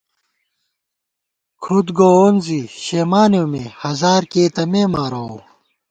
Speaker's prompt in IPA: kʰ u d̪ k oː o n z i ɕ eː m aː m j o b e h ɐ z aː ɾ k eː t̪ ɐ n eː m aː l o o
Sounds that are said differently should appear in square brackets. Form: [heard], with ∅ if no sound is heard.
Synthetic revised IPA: kʰ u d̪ [ɡ] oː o n z i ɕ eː m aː [n] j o [m] e h ɐ z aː ɾ k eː t̪ ɐ [m] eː m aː [ɾ] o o